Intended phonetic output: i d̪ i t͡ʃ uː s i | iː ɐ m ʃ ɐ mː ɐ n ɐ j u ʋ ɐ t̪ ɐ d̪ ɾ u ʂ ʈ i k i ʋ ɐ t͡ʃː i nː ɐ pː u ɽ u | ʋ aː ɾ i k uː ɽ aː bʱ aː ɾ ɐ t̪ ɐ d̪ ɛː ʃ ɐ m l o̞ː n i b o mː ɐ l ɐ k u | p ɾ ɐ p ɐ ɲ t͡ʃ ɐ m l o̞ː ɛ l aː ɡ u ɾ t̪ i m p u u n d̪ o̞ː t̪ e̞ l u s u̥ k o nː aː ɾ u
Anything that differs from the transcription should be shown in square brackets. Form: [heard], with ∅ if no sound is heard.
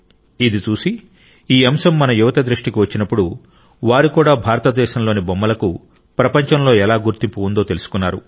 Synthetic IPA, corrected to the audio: i d̪ i t͡ʃ uː s i | iː ɐ m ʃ ɐ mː ɐ n ɐ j u ʋ ɐ t̪ ɐ d̪ ɾ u ʂ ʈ i k i ʋ ɐ t͡ʃː i [n] ɐ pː u ɽ u | ʋ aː ɾ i k uː ɽ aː bʱ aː ɾ ɐ t̪ ɐ d̪ ɛː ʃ ɐ m l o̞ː n i b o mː ɐ l ɐ k u | p ɾ ɐ p ɐ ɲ t͡ʃ ɐ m l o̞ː ɛ l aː ɡ u ɾ t̪ i m p u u n d̪ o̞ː t̪ e̞ l u s u̥ k [u] nː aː ɾ u